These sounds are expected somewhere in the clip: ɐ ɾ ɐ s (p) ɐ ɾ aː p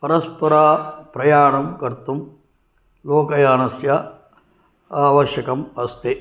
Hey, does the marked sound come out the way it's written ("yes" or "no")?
yes